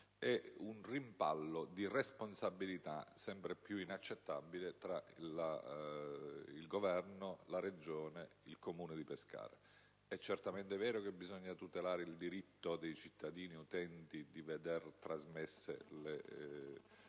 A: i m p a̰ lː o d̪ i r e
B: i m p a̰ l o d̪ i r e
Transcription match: A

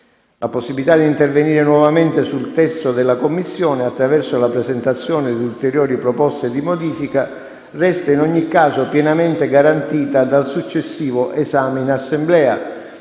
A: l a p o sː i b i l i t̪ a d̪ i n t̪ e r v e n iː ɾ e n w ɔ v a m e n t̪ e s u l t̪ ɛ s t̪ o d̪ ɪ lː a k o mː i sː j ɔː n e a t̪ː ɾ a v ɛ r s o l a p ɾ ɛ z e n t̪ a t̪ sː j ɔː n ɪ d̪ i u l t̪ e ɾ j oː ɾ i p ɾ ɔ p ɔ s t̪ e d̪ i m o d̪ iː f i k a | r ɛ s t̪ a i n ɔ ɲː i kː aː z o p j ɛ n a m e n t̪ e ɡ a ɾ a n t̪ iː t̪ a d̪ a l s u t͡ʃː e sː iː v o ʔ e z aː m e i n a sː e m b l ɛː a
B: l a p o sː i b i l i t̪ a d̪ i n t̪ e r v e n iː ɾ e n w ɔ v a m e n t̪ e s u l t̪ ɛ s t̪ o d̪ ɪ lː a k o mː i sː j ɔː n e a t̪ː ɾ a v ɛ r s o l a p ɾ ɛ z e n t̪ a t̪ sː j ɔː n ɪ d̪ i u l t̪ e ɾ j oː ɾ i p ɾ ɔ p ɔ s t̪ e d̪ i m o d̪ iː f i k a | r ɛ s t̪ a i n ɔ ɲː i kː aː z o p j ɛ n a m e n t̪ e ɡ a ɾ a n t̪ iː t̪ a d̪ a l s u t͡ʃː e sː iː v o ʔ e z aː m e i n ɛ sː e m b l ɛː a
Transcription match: A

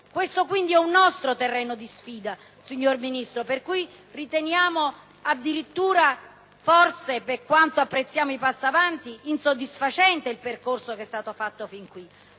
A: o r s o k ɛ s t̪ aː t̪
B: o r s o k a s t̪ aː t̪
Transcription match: A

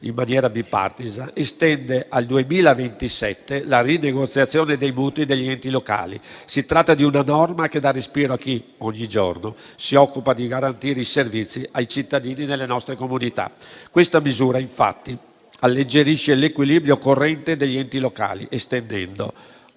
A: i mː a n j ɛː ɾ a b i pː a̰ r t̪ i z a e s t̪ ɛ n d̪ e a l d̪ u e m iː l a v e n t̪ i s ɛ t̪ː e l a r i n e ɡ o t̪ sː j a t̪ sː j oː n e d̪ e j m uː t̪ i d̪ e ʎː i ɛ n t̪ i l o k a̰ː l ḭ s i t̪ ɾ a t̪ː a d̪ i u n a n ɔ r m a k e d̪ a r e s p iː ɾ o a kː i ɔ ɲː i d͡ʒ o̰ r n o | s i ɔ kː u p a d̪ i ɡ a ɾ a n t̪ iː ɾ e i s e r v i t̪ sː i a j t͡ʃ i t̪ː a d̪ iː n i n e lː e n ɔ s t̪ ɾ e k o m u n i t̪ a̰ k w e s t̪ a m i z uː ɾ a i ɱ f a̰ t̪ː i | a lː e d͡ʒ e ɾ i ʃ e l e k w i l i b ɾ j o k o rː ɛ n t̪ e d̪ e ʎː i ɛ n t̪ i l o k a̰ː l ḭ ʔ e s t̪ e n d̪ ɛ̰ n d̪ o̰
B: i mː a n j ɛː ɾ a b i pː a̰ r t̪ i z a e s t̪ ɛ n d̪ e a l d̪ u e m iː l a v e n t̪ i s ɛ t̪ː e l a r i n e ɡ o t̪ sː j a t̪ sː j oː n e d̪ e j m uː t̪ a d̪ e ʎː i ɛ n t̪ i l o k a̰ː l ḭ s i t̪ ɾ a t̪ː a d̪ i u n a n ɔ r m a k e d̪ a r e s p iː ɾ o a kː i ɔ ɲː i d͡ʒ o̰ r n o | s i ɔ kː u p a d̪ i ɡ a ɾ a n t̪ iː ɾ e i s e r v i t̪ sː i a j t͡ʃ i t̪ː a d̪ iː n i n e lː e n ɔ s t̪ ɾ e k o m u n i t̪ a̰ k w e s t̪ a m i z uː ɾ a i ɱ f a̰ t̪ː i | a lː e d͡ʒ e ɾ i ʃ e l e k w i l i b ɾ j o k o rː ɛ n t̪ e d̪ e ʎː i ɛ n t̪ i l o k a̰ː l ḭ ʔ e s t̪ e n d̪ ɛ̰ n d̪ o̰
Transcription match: A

